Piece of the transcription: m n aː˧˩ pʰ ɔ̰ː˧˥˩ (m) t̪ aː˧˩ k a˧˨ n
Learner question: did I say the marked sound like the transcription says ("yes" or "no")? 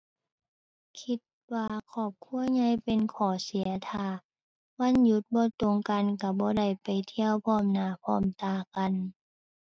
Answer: yes